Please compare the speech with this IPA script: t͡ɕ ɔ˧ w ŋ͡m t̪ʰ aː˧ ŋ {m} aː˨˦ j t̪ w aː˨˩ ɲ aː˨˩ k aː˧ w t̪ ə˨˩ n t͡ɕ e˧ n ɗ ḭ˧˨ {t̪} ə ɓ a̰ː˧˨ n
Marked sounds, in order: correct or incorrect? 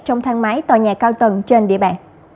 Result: correct, incorrect: none

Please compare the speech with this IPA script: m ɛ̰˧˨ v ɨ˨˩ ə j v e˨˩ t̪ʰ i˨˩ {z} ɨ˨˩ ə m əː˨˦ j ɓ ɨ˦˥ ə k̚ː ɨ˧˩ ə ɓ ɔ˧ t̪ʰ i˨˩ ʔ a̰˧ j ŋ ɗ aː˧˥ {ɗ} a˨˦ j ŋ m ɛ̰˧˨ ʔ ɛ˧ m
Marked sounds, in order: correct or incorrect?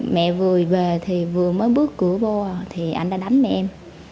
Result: incorrect: v, correct

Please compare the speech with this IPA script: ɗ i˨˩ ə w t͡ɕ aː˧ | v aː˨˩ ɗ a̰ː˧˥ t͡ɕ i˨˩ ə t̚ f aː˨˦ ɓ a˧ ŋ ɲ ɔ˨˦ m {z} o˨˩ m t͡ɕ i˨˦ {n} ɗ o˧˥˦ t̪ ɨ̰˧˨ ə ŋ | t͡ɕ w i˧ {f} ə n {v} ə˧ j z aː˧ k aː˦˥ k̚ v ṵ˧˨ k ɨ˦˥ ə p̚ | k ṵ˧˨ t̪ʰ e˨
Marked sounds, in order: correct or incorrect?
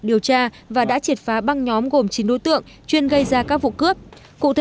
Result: incorrect: ɣ, correct, incorrect: none, incorrect: ɣ

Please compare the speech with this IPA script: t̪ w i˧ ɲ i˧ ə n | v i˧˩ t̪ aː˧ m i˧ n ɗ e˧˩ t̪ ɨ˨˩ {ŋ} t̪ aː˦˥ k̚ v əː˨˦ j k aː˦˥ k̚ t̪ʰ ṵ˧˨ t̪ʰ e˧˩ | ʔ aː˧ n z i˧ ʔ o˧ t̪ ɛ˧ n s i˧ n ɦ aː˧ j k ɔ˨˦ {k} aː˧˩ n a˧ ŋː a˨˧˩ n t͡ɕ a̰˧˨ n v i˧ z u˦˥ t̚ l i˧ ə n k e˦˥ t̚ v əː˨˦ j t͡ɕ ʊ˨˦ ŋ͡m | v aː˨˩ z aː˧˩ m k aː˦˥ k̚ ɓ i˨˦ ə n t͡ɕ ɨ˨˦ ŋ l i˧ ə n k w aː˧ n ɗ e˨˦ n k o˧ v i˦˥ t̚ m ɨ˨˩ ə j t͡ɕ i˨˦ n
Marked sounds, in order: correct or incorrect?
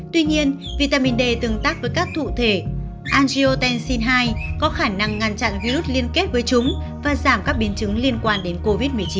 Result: correct, incorrect: x

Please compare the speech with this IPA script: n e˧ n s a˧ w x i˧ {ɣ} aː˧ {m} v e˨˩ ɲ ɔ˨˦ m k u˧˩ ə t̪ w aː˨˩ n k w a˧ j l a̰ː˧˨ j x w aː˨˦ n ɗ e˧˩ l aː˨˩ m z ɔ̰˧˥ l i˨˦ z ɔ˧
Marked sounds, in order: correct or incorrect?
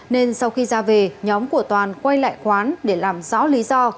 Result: incorrect: z, incorrect: none

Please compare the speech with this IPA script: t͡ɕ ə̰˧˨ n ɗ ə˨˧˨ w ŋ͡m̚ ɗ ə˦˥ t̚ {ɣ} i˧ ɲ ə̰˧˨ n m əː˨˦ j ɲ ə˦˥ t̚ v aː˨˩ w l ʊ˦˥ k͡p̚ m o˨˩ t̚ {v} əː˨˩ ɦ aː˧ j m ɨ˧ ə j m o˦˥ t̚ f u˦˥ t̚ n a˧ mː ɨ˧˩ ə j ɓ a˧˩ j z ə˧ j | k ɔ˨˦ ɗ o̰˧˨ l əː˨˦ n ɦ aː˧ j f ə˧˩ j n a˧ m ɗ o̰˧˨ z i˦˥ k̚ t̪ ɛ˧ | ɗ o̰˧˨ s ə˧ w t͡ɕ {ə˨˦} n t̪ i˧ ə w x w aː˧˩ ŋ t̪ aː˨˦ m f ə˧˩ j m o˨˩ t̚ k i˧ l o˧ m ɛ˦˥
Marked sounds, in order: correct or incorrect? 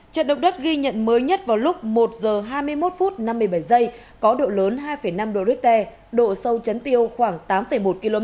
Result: correct, incorrect: z, correct

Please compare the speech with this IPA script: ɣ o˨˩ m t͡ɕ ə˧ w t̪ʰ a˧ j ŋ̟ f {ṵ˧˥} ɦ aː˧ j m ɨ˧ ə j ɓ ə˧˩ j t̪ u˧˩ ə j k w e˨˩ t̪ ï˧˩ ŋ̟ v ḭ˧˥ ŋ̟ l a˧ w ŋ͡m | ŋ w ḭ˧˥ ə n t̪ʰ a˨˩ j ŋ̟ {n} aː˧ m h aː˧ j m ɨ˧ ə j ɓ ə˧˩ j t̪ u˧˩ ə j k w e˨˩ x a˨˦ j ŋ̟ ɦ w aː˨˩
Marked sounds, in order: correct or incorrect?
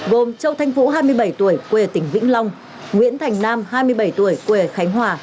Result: correct, correct

